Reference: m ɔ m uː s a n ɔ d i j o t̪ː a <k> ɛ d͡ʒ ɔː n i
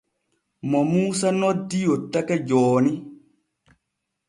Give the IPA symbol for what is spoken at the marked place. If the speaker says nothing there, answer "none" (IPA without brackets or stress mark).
k